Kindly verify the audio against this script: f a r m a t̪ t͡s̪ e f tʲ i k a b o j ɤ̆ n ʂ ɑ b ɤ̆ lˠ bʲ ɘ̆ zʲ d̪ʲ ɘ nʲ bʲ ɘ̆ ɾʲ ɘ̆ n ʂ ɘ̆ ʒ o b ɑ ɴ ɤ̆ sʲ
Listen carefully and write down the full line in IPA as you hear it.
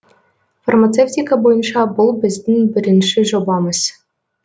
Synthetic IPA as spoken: f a r m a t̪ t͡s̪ e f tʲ i k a b o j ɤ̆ n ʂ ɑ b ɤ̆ lˠ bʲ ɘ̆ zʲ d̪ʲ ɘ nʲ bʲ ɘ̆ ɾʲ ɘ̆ n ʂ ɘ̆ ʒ o b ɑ m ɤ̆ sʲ